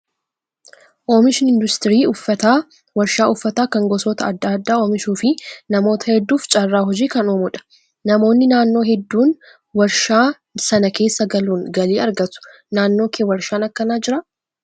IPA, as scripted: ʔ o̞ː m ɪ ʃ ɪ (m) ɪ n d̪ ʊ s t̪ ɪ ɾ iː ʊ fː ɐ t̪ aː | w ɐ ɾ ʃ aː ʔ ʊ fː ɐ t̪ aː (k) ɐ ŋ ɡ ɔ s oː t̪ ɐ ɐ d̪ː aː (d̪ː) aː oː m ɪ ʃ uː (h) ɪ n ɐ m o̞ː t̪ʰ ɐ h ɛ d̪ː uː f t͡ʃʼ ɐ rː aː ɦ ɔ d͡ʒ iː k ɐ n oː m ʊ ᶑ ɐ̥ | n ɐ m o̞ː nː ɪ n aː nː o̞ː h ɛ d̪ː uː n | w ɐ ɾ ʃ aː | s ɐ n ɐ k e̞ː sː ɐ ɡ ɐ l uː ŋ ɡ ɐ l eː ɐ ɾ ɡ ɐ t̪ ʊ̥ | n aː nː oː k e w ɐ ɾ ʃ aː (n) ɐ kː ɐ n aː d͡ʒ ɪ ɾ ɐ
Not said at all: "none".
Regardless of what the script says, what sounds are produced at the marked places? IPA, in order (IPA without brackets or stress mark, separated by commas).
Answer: n, k, d̪ː, f, n